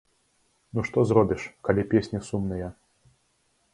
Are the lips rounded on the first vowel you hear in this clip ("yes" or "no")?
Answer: yes